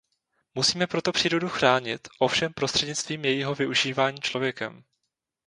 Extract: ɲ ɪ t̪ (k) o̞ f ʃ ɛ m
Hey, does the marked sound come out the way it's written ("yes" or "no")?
no